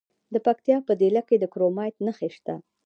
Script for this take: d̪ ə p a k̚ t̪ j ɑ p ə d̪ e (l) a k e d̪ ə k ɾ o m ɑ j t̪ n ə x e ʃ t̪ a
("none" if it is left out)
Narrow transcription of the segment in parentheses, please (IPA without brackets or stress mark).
l